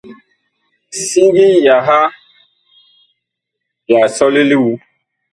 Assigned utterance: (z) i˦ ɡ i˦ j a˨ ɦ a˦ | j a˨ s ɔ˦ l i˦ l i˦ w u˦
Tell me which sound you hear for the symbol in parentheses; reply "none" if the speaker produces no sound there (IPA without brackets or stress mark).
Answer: s